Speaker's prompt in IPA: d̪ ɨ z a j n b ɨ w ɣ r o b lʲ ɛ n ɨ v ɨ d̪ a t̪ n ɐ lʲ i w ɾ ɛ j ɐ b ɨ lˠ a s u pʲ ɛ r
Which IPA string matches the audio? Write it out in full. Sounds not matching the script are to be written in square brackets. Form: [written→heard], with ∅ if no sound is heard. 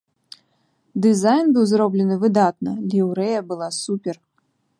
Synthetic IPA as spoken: d̪ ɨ z a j n b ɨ w [ɣ→z] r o b lʲ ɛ n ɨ v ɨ d̪ a t̪ n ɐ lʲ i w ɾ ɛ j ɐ b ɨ lˠ a s u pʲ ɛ r